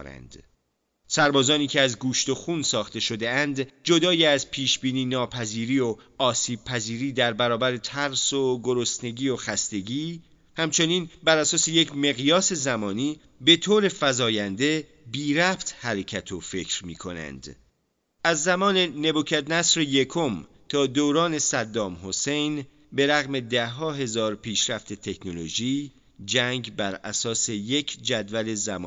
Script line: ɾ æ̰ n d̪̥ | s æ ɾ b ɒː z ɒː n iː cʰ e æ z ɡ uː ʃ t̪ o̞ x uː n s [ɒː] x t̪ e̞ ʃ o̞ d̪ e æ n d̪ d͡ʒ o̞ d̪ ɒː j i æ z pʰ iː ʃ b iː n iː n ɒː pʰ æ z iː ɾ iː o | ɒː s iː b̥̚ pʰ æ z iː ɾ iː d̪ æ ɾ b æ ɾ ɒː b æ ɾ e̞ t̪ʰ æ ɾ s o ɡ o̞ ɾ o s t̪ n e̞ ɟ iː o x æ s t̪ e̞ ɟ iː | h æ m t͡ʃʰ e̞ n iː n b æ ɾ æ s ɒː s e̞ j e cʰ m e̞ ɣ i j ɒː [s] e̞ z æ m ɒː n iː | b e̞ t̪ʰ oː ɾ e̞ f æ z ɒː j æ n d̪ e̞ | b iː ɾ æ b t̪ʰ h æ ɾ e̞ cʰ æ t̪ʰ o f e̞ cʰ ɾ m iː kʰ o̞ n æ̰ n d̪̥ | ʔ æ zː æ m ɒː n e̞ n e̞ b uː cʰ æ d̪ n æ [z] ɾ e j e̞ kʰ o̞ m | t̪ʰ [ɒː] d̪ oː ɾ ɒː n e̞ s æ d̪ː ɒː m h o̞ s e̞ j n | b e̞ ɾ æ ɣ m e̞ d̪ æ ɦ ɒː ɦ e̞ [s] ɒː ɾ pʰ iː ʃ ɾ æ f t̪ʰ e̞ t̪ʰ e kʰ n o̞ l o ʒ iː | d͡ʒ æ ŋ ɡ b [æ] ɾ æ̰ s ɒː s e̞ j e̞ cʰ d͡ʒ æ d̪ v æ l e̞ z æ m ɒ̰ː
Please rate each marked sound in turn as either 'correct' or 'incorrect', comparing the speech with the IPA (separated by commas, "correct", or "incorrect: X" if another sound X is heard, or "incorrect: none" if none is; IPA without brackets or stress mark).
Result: correct, correct, incorrect: s, correct, incorrect: z, correct